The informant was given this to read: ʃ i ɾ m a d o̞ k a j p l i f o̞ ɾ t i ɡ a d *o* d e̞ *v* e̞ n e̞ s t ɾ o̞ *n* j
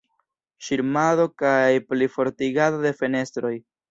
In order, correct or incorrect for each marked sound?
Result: correct, incorrect, incorrect

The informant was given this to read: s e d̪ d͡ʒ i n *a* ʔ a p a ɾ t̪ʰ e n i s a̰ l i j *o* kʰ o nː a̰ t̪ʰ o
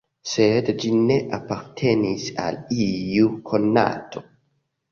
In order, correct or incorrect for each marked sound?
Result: incorrect, incorrect

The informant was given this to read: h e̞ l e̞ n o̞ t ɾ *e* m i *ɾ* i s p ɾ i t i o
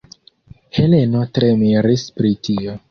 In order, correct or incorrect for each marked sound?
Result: correct, correct

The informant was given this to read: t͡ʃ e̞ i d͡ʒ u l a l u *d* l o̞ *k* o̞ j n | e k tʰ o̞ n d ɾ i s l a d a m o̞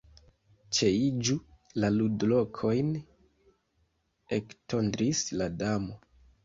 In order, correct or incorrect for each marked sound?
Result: correct, incorrect

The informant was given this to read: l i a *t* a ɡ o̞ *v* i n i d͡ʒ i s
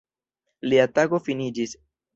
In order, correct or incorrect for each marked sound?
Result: correct, incorrect

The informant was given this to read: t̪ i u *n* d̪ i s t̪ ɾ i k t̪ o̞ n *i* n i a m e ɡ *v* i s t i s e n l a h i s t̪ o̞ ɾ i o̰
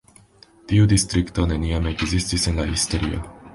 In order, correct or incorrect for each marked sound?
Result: incorrect, incorrect, incorrect

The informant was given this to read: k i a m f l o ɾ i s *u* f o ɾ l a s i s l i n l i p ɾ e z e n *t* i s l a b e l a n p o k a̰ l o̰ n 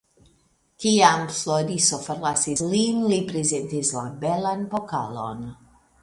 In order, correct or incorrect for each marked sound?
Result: incorrect, correct

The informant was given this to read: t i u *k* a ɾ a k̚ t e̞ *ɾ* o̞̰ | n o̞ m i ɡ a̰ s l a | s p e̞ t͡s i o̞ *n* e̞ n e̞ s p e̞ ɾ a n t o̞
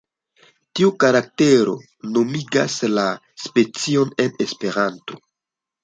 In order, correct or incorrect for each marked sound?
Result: correct, correct, correct

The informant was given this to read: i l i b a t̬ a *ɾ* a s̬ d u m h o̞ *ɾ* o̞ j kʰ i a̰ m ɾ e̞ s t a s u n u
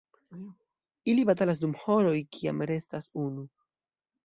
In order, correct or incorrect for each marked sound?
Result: incorrect, correct

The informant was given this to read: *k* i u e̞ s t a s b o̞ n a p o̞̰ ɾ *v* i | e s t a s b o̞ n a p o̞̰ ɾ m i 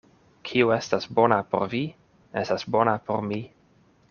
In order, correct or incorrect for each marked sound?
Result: incorrect, correct

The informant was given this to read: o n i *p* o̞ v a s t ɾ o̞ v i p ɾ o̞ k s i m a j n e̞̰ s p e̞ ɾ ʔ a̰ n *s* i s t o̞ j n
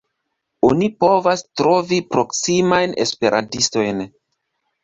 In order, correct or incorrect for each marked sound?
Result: correct, incorrect

